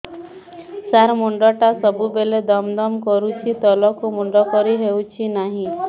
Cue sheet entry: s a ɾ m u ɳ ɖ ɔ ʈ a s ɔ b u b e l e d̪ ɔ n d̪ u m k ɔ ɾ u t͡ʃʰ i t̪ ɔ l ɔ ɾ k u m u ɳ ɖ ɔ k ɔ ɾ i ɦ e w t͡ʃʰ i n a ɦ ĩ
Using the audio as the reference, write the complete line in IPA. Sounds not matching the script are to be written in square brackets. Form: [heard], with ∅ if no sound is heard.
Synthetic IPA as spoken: s a ɾ m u ɳ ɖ ɔ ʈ a s ɔ b u b e l e d̪ ɔ [m] d̪ [ɔ] m k ɔ ɾ u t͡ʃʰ i t̪ ɔ l ɔ [∅] k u m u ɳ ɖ ɔ k ɔ ɾ i ɦ e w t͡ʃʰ i n a ɦ ĩ

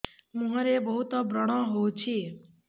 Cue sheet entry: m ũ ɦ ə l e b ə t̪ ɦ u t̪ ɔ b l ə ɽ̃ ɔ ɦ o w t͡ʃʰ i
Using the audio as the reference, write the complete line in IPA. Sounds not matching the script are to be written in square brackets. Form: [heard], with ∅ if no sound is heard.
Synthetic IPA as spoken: m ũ ɦ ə [ɾ] e b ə [∅] ɦ u t̪ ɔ b [ɾ] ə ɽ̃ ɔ ɦ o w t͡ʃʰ i

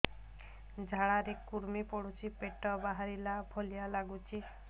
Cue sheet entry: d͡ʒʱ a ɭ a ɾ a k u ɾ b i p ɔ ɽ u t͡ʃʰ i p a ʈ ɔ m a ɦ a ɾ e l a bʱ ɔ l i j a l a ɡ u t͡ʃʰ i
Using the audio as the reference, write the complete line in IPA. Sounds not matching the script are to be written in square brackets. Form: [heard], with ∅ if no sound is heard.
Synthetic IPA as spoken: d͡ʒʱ a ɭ a ɾ [e] k u ɾ [m] i p ɔ ɽ u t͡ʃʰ i p [e] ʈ ɔ [b] a ɦ a ɾ [i] l a bʱ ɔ l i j a l a ɡ u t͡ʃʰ i

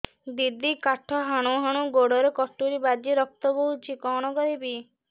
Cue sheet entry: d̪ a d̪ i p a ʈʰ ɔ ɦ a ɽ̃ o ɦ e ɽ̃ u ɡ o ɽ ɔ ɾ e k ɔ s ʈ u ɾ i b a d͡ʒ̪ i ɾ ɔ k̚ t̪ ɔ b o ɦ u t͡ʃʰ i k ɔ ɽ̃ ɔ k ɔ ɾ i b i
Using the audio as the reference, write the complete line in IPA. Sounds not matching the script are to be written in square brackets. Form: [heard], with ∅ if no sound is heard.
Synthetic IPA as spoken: d̪ [i] d̪ i [k] a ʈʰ ɔ ɦ a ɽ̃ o ɦ [a] ɽ̃ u ɡ o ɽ ɔ ɾ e k ɔ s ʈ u ɾ i b a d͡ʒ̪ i ɾ ɔ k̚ t̪ ɔ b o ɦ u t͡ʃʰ i k ɔ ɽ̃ ɔ k ɔ ɾ i b i

